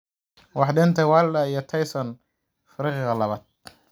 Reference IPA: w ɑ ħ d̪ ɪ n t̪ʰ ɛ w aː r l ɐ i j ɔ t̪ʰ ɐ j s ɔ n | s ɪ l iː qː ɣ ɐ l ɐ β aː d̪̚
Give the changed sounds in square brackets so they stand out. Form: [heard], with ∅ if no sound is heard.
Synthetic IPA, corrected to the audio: w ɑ ħ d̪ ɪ n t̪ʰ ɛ w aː [l] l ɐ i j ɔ t̪ʰ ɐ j s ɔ n | [f] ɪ [ɾ] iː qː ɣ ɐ l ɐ β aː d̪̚